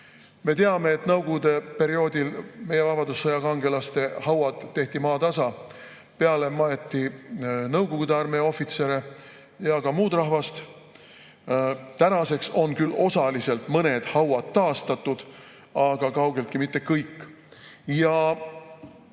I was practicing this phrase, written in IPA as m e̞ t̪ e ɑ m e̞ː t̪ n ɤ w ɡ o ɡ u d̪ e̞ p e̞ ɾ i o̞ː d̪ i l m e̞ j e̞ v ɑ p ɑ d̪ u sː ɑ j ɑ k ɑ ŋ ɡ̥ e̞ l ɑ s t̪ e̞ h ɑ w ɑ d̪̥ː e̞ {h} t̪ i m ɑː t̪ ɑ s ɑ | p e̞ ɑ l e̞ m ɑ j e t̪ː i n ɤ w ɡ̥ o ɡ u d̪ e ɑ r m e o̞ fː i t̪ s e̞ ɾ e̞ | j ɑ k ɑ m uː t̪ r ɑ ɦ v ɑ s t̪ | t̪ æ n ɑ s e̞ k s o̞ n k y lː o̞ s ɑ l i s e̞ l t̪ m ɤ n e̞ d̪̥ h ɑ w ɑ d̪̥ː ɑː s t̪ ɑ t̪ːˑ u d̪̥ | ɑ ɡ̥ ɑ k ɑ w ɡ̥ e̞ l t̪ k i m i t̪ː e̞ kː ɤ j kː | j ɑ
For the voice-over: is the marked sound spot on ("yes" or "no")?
yes